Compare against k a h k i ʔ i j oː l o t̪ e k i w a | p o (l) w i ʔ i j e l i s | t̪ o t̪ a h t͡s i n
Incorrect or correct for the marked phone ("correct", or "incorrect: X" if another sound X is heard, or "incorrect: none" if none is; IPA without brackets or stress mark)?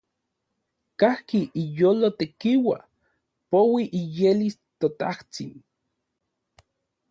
incorrect: none